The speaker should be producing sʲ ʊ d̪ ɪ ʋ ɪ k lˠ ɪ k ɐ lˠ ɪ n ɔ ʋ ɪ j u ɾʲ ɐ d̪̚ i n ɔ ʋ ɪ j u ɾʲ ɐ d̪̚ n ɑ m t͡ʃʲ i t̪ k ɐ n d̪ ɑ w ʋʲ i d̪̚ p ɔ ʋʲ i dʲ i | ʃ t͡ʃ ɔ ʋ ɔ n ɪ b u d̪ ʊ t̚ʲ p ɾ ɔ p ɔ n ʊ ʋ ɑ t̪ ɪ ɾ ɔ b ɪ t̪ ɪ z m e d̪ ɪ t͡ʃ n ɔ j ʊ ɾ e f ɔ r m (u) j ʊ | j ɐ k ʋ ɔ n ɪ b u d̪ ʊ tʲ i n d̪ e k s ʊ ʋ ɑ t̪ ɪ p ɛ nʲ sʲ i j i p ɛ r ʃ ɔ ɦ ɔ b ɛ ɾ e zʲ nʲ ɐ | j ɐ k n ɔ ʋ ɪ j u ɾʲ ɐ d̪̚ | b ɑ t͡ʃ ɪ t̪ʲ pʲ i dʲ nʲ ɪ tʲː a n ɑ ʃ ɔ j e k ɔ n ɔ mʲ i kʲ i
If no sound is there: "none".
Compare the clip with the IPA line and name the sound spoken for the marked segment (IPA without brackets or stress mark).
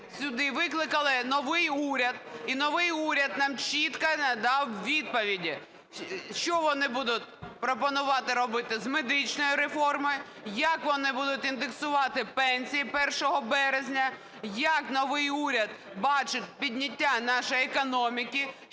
ɔ